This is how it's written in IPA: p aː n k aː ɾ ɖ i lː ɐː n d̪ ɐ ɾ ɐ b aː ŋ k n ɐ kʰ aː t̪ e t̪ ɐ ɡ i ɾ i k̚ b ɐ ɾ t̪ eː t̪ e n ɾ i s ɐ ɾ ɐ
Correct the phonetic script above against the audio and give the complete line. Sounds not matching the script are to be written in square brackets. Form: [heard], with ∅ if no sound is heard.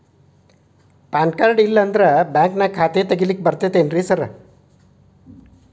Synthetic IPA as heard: p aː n k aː ɾ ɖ i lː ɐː n d̪ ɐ ɾ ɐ b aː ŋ k n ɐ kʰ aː t̪ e t̪ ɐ ɡ i [l] i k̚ b ɐ ɾ t̪ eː t̪ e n ɾ i s ɐ ɾ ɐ